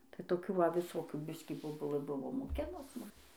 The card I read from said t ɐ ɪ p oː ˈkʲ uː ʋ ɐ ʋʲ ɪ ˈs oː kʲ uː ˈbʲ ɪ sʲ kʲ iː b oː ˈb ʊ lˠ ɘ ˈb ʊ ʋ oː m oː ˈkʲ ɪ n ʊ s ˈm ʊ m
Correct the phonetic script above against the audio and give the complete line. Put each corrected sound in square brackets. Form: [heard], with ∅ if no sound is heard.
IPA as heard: t ɐ ɪ [t] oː ˈkʲ uː ʋ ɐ ʋʲ ɪ ˈs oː kʲ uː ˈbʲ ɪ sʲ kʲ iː b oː ˈb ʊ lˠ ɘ ˈb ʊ ʋ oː m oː ˈkʲ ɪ n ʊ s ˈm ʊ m